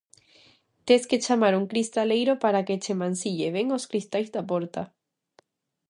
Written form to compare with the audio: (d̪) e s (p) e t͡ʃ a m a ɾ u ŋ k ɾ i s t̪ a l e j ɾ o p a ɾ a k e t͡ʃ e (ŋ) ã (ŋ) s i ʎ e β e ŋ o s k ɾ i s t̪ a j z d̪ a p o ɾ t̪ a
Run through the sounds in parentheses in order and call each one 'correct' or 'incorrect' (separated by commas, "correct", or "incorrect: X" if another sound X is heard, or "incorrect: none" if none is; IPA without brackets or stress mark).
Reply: incorrect: t̪, incorrect: k, incorrect: m, incorrect: n